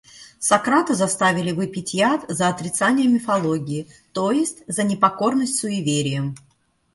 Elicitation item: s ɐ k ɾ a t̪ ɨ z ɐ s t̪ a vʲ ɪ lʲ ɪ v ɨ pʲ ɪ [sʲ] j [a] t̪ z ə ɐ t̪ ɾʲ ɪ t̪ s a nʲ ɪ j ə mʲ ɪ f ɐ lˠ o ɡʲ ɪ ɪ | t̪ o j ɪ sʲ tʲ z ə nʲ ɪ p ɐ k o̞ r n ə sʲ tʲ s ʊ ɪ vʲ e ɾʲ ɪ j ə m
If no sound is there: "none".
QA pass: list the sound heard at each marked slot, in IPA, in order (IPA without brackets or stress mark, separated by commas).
tʲ, a